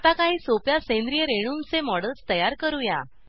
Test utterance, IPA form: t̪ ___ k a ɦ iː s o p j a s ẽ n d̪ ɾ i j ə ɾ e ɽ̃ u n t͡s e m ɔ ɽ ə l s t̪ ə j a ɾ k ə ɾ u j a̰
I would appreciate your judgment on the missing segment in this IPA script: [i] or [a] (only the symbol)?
a